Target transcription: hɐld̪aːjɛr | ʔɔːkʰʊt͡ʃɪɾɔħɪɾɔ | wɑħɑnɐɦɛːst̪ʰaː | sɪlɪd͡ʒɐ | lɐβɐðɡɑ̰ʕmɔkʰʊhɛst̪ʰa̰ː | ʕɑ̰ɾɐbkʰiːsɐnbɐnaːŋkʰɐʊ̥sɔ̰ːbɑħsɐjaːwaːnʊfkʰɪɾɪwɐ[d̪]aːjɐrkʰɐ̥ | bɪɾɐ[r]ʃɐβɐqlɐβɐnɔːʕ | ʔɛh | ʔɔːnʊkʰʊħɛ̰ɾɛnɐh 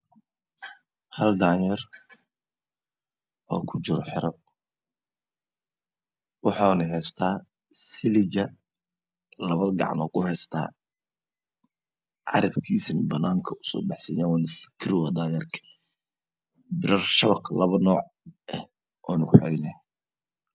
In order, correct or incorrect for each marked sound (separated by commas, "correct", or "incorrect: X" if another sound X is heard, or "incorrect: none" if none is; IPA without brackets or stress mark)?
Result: correct, correct